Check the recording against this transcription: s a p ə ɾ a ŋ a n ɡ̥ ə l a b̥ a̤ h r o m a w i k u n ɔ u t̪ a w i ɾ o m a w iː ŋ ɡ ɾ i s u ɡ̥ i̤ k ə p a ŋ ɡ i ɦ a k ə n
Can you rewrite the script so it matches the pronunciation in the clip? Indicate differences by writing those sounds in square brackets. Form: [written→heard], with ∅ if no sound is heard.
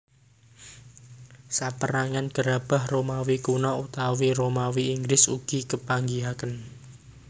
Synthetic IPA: s a p ə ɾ a ŋ a n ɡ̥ ə [l→ɾ] a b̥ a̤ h r o m a w i k u n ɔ u t̪ a w i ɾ o m a w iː ŋ ɡ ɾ [i→ɪ] s u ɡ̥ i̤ k ə p a ŋ ɡ i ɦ a k ə n